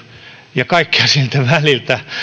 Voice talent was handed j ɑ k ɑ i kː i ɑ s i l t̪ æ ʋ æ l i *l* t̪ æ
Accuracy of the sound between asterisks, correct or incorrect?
correct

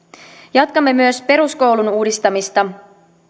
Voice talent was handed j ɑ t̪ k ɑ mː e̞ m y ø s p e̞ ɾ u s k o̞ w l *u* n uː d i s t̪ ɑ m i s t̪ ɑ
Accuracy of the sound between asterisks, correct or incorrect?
correct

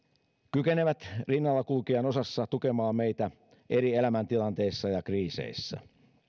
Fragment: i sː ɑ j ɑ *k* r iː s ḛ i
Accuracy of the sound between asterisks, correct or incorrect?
correct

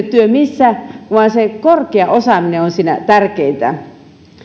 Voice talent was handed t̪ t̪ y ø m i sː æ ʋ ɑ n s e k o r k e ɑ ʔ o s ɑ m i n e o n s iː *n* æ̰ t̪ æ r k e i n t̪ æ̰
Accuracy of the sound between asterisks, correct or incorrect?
correct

